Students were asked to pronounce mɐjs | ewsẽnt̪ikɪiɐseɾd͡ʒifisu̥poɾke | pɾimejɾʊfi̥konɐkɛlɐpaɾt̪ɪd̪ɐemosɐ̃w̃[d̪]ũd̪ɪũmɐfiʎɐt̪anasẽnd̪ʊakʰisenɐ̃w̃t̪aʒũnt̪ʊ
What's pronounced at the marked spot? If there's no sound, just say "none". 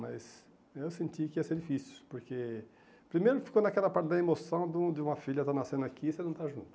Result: d̪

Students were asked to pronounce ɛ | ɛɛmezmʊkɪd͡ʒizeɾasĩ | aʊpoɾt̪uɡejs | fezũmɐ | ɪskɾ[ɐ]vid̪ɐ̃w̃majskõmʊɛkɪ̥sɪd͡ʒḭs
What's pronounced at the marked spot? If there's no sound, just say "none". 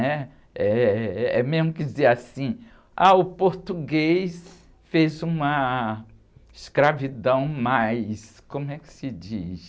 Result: a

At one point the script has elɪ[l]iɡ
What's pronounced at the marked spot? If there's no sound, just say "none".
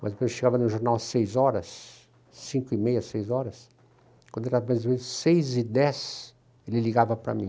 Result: l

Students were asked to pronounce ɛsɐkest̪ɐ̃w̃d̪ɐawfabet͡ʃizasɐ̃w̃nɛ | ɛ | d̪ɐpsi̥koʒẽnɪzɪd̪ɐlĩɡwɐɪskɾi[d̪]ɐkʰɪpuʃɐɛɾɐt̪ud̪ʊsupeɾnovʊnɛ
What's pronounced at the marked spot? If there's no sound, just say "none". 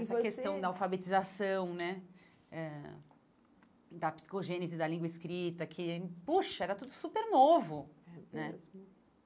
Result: t̪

